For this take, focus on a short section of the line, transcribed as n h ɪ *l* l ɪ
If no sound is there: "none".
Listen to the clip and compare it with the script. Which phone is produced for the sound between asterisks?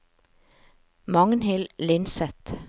l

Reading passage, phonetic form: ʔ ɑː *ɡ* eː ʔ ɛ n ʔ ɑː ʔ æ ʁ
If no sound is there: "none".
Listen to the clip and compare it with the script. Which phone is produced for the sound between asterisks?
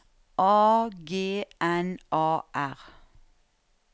ɡ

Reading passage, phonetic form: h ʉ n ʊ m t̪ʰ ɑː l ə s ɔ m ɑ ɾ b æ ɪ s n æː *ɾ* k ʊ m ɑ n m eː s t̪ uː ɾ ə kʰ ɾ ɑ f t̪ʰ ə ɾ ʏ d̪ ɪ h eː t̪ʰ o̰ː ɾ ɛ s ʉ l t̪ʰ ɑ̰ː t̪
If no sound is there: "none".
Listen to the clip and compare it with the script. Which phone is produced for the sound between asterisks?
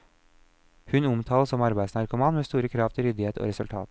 ɾ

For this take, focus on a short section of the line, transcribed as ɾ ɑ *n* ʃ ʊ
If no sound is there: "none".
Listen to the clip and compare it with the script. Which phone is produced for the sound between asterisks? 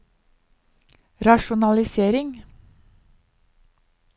none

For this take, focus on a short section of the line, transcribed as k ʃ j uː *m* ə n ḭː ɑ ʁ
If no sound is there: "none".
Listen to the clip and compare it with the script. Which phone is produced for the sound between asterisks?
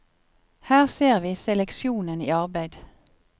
n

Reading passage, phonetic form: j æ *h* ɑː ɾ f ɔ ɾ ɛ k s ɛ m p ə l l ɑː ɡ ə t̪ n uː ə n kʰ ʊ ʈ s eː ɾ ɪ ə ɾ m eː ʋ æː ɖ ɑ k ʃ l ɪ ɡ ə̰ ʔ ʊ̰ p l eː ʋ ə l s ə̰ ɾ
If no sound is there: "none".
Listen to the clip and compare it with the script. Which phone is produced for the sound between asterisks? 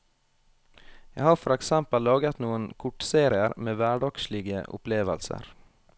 h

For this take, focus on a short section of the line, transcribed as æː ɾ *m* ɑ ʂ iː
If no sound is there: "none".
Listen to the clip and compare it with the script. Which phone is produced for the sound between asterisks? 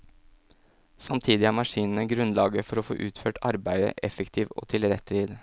m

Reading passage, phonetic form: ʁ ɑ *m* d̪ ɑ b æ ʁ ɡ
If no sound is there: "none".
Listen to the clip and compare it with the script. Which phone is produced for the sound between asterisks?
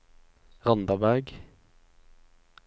n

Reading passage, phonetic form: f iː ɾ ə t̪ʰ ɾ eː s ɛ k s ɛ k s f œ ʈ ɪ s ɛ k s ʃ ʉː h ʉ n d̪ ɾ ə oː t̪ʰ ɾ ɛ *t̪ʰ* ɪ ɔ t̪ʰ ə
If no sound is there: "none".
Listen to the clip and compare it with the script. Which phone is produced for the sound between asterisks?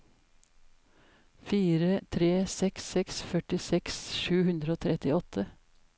t̪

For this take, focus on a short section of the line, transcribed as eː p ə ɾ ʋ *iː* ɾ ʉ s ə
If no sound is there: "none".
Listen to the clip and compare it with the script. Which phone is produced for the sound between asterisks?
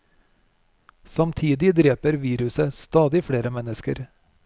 iː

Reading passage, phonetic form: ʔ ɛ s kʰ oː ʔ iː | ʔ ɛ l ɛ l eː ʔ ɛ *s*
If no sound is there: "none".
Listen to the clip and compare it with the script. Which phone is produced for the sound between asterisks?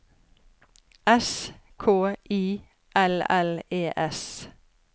s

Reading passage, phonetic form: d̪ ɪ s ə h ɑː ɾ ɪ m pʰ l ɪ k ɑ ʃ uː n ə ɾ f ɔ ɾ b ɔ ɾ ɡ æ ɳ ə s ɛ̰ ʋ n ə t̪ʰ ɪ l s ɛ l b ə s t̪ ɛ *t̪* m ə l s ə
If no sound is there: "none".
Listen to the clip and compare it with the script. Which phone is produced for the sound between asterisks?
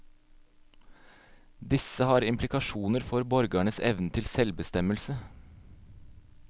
none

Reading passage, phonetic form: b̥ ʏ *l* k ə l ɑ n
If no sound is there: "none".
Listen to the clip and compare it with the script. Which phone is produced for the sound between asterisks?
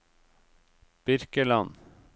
ɾ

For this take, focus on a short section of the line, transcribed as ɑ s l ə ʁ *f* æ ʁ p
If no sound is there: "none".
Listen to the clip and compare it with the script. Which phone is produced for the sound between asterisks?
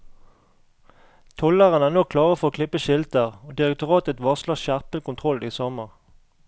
ʃ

